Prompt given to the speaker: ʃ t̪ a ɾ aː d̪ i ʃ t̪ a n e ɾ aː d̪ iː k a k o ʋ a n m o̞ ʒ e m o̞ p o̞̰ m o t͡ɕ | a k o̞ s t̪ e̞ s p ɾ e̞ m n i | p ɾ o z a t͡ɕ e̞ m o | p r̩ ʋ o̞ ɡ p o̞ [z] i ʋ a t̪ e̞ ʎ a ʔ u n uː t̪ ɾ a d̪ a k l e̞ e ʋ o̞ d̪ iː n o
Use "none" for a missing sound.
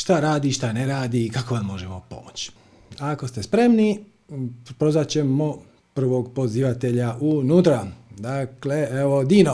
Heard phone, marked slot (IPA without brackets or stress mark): z